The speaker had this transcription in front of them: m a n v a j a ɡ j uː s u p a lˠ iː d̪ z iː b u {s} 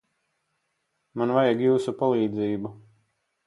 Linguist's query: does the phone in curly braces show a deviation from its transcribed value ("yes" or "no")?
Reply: yes